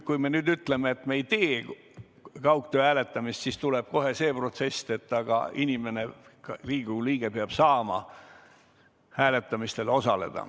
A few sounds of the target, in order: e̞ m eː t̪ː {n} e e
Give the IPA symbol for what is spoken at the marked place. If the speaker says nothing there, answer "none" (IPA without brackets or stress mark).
m